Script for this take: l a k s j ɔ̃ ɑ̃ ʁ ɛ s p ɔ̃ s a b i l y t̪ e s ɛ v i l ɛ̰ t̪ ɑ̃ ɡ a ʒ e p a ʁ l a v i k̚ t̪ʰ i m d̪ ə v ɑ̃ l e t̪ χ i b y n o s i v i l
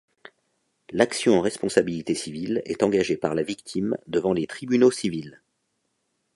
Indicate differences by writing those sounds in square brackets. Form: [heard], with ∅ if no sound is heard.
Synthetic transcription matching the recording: l a k s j ɔ̃ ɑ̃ ʁ ɛ s p ɔ̃ s a b i l [i] t̪ e s [i] v i l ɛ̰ t̪ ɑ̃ ɡ a ʒ e p a ʁ l a v i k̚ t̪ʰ i m d̪ ə v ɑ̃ l e t̪ χ i b y n o s i v i l

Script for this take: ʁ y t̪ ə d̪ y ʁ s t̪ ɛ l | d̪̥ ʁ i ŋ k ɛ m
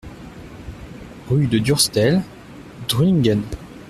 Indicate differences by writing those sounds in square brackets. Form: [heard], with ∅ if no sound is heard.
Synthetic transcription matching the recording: ʁ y [d̪] ə d̪ y ʁ s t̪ ɛ l | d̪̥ ʁ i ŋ [ɡ] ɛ [n]

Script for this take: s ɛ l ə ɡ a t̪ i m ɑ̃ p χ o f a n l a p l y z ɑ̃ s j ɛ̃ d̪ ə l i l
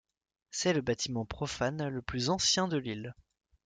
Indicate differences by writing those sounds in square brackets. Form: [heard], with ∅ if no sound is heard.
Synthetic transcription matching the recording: s ɛ l ə [b] a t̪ i m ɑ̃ p χ [ɔ] f a n l [ə] p l y z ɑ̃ s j ɛ̃ d̪ ə l i l

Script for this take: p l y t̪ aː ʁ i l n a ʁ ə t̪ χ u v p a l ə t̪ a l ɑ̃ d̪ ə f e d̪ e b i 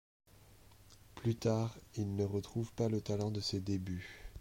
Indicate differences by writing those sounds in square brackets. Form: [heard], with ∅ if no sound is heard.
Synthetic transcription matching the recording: p l y t̪ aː ʁ i l n [ə] ʁ ə t̪ χ u v p a l ə t̪ a l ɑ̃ d̪ ə [s] e d̪ e b [y]

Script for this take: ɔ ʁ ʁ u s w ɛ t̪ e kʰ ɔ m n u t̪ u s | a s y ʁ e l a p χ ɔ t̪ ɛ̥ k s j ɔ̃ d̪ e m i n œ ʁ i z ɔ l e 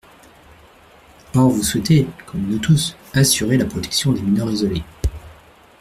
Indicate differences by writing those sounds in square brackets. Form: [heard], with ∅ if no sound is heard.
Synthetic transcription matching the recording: ɔ ʁ [v] u s w ɛ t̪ e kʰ ɔ m n u t̪ u s | a s y ʁ e l a p χ ɔ t̪ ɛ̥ k s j ɔ̃ d̪ e m i n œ ʁ i z ɔ l e

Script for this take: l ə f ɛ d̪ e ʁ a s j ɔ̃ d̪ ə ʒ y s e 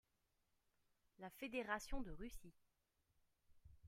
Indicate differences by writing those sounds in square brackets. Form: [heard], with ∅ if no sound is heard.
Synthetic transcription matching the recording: l [a] f [e] d̪ e ʁ a s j ɔ̃ d̪ ə [ʁ] y s [i]

